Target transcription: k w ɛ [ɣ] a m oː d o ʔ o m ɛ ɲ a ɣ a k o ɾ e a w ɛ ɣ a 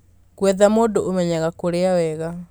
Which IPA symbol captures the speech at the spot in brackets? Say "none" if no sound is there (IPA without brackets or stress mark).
ð